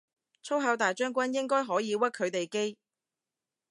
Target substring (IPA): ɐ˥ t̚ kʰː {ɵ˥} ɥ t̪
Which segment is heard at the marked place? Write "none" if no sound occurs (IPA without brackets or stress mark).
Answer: ɵ˨˧